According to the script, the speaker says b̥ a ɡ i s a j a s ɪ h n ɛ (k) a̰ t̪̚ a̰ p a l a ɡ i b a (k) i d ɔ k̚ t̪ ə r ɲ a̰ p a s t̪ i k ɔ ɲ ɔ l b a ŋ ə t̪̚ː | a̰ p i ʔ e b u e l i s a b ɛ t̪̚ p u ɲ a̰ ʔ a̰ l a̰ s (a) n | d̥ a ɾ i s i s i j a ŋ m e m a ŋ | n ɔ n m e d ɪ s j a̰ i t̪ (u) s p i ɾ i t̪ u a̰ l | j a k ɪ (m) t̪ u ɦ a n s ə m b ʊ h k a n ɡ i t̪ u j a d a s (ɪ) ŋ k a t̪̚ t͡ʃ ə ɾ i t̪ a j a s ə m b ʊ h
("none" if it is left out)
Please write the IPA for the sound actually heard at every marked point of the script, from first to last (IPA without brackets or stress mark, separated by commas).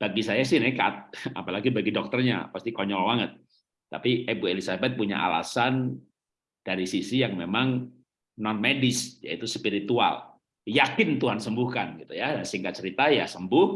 k, ɡ, a, u, n, i